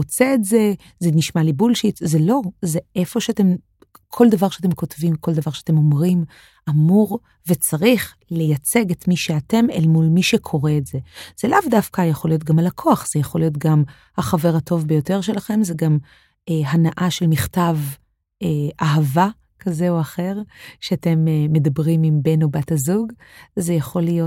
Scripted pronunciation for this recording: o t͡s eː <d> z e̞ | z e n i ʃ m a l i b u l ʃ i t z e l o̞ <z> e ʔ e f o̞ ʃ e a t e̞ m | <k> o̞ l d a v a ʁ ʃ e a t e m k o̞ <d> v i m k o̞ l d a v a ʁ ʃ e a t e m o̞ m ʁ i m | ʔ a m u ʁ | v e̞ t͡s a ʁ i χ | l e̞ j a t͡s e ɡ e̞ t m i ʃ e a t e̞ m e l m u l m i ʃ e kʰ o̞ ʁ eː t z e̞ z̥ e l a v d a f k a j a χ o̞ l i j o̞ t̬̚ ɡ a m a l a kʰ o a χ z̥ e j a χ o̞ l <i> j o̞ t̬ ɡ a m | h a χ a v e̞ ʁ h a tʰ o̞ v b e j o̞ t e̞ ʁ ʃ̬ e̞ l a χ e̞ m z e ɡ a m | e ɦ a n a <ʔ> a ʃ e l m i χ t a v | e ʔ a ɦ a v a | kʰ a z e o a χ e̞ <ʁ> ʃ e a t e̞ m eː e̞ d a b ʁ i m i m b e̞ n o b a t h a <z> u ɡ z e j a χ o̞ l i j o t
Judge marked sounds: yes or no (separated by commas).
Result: no, yes, no, no, yes, yes, yes, yes